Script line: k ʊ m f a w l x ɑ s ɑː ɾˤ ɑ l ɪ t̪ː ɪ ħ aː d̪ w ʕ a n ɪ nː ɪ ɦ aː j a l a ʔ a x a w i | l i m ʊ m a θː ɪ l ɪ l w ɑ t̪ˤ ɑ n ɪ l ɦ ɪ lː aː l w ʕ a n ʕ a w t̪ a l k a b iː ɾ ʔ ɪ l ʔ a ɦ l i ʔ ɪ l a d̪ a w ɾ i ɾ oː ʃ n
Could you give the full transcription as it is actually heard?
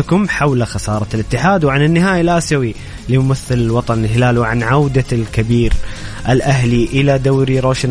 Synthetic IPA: k ʊ m ħ a w l x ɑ s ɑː ɾˤ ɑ l ɪ t̪ː ɪ ħ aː d̪ w ʕ a n ɪ nː ɪ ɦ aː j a l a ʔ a s a w i | l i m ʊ m a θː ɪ l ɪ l w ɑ t̪ˤ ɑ n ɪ l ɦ ɪ l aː l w ʕ a n ʕ a w d̪ a l k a b iː ɾ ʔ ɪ l ʔ a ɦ l i ʔ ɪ l a d̪ a w ɾ i ɾ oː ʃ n